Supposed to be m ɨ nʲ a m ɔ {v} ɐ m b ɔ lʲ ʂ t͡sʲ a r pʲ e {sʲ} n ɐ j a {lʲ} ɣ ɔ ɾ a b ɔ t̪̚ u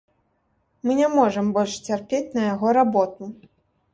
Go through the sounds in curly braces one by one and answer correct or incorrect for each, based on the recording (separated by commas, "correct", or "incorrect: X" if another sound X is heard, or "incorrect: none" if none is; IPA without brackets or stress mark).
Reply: incorrect: ʐ, incorrect: t͡sʲ, incorrect: none